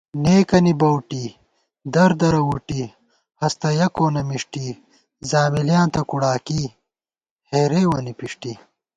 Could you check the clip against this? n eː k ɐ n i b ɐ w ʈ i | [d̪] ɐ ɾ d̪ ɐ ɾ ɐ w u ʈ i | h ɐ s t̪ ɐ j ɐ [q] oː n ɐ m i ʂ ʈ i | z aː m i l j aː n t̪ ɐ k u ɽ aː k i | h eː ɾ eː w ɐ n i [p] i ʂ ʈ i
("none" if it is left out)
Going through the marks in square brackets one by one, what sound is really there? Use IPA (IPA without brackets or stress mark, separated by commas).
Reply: d̪, k, p